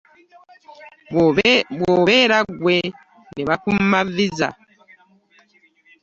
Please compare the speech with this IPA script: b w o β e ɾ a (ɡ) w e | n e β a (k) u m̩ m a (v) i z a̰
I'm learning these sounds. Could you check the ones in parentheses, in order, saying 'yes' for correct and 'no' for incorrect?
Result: yes, yes, yes

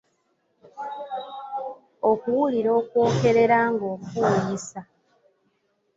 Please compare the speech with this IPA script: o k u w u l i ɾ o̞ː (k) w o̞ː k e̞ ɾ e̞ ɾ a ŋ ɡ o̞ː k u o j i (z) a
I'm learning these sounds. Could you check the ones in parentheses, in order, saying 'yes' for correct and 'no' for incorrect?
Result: yes, no

